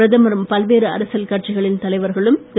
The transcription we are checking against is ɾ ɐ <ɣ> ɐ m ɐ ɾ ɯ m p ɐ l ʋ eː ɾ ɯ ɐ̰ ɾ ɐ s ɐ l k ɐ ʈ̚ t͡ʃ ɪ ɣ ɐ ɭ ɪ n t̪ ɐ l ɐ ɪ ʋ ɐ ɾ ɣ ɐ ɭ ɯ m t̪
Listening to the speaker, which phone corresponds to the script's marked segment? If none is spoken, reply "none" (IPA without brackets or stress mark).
ð